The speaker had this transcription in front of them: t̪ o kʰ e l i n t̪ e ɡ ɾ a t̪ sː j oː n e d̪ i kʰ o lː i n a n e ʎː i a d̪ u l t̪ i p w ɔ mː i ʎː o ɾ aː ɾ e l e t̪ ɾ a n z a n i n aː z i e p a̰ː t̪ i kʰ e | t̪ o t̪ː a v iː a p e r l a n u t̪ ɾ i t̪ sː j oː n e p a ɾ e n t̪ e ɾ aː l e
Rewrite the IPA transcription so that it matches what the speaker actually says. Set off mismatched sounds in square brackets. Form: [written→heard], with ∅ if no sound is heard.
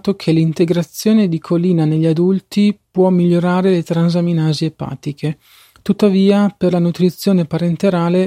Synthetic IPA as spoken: t̪ o kʰ e l i n t̪ e ɡ ɾ a t̪ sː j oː n e d̪ i kʰ o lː [i→iː] n a n e ʎː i a d̪ u l t̪ i p w ɔ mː i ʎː o ɾ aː ɾ e l e t̪ ɾ a n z a [n→m] i n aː z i e p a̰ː t̪ i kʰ e | t̪ [o→u] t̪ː a v iː a p e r l a n u t̪ ɾ i t̪ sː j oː n e p a ɾ e n t̪ e ɾ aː l e